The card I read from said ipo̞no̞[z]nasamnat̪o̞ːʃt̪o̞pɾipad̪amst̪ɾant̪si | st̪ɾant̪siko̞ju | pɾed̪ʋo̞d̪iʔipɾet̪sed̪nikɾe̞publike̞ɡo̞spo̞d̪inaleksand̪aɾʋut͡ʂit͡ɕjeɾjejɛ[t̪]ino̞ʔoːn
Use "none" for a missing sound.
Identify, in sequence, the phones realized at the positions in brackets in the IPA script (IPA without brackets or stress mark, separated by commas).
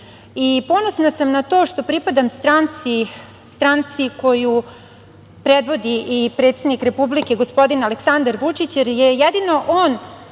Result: s, d̪